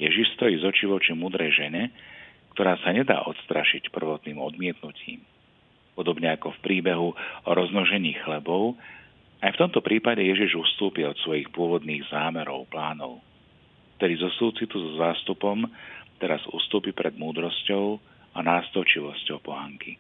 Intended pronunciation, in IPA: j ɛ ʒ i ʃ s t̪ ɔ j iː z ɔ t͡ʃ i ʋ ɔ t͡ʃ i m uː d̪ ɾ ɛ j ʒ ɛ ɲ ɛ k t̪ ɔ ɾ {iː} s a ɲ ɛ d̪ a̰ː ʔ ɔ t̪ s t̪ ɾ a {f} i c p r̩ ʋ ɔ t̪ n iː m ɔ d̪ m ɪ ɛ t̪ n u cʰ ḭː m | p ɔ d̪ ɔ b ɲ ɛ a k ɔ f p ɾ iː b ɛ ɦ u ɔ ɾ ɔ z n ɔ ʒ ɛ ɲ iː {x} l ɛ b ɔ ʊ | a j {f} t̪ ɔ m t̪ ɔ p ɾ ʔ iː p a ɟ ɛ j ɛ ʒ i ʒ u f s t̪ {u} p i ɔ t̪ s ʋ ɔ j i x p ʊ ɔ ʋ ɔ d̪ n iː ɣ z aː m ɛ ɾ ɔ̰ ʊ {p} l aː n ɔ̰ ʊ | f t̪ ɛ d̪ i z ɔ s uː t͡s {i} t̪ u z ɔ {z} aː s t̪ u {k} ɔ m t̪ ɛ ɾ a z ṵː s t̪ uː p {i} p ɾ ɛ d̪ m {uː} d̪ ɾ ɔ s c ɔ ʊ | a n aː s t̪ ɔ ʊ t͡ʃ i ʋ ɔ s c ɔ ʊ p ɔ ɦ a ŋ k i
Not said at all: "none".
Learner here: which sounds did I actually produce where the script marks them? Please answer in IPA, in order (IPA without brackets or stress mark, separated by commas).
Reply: aː, ʃ, x, f, uː, p, i, z, p, i, uː